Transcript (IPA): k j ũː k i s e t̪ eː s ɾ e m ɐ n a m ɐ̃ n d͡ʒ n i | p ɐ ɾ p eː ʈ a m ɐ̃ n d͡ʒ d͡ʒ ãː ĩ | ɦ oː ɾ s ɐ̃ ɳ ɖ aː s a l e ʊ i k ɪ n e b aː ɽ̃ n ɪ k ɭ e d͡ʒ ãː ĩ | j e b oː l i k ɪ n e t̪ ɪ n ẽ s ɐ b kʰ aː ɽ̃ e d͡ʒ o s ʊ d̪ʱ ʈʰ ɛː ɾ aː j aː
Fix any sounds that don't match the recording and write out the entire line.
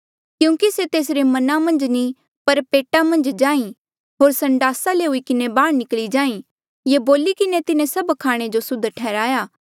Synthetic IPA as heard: k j ũː k i s e t̪ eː s ɾ e m ɐ n a m ɐ̃ n d͡ʒ n i | p ɐ ɾ p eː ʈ a m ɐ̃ n d͡ʒ d͡ʒ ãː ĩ | ɦ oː ɾ s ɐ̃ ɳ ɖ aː s a l e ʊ i k ɪ n e b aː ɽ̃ n ɪ k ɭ i d͡ʒ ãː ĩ | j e b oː l i k ɪ n e t̪ ɪ n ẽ s ɐ b kʰ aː ɽ̃ e d͡ʒ o s ʊ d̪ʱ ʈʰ ɛː ɾ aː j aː